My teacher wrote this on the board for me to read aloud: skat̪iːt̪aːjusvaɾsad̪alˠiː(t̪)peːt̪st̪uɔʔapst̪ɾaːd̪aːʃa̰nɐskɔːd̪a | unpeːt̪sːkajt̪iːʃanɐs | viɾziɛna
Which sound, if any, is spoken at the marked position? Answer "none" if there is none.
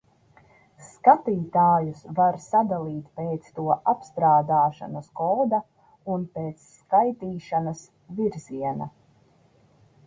t̪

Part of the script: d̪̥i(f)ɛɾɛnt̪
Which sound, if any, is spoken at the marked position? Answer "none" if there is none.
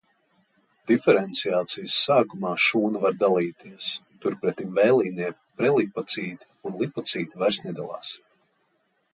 f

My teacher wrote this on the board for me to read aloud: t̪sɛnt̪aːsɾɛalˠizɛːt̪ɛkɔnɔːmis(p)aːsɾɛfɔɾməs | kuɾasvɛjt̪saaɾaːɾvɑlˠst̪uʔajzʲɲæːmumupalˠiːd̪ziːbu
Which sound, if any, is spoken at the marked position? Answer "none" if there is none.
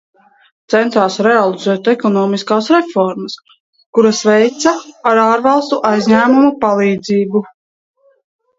k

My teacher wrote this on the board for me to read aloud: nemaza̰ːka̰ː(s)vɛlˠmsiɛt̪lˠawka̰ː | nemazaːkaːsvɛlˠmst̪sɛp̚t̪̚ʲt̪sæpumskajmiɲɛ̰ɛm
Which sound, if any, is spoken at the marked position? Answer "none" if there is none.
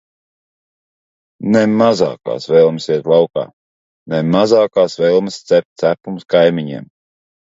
s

